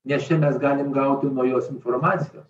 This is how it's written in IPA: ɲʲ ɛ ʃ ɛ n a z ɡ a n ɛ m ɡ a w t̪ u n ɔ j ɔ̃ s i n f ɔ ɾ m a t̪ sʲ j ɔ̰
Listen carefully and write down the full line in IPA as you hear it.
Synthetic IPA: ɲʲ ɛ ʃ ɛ n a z ɡ a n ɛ m ɡ a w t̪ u m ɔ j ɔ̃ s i n f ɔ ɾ m a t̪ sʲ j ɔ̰